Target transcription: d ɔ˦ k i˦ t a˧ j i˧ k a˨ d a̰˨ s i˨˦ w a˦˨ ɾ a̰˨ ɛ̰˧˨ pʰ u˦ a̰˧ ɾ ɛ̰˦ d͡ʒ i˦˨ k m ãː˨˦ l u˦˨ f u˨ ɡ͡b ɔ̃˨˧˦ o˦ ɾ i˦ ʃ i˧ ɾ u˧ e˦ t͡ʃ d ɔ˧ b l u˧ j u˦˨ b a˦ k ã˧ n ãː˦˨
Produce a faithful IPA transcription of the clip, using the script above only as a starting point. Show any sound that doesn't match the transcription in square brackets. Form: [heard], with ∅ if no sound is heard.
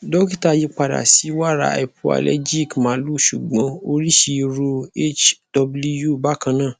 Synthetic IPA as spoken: d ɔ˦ k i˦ t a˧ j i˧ [k͡p] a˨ d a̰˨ s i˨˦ w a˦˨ ɾ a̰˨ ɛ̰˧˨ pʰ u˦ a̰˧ [l] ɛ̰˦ d͡ʒ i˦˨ k m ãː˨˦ l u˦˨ [ʃ] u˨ ɡ͡b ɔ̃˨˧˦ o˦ ɾ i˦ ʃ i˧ ɾ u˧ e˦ t͡ʃ d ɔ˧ b l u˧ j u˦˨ b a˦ k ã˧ n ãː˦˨